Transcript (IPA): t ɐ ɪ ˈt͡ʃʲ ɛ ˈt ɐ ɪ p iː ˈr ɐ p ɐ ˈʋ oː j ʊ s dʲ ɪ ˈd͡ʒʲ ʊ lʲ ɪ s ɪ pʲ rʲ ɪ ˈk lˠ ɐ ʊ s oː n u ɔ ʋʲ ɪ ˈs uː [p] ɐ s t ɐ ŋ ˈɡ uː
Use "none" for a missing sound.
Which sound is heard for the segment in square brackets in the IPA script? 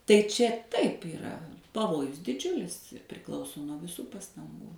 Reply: p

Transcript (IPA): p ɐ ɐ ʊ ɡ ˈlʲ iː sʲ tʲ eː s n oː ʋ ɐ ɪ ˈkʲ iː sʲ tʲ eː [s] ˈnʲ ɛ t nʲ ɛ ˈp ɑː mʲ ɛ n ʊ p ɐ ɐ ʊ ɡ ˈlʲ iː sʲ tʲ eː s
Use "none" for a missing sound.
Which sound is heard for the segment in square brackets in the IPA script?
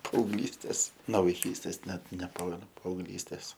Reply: s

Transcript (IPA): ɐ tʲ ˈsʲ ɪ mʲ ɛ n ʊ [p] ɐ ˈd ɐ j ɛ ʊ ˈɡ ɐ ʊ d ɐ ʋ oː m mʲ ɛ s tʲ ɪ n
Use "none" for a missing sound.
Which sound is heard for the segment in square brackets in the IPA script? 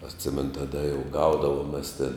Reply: t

